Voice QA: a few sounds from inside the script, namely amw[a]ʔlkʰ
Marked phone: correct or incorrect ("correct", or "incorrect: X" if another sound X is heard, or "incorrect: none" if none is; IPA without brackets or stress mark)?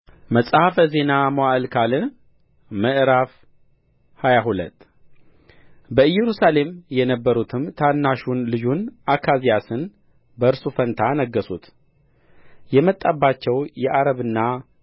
correct